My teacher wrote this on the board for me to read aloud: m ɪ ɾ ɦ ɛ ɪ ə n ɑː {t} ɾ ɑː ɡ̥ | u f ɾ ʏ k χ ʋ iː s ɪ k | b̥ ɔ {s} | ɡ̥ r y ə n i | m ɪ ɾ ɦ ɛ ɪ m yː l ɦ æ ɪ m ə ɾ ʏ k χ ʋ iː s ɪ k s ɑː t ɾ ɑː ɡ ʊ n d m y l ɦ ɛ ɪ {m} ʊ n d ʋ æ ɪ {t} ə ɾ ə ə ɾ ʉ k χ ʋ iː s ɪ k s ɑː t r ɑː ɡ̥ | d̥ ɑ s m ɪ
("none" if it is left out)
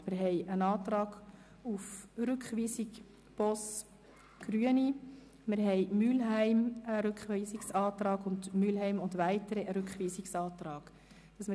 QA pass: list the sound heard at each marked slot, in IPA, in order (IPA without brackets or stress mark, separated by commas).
t, s, m, t